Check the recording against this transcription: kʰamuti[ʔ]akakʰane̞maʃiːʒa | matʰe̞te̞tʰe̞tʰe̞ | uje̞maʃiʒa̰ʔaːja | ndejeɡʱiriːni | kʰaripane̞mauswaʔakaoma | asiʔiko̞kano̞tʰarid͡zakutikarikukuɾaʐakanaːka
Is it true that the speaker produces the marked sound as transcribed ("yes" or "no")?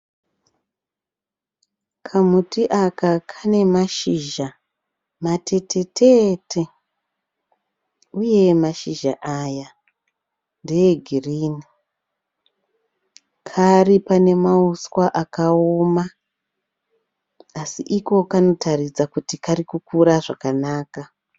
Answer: yes